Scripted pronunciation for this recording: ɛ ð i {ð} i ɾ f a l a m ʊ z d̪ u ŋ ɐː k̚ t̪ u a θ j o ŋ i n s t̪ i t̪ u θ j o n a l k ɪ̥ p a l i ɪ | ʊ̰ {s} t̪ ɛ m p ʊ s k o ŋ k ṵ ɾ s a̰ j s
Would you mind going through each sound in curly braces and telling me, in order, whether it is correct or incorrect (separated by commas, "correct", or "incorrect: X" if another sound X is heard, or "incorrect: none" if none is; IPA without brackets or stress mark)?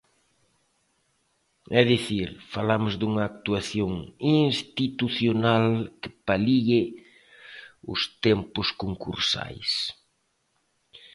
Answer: incorrect: θ, correct